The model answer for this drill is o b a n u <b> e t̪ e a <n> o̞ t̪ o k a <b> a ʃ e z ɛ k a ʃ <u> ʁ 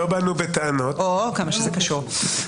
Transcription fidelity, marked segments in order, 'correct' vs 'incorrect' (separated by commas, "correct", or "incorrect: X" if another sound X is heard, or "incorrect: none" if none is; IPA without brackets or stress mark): correct, correct, incorrect: m, correct